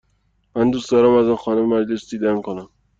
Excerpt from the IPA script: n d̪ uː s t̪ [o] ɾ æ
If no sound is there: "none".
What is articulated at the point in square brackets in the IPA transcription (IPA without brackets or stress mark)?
ɒ